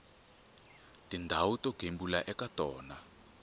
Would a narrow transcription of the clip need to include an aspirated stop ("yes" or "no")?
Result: no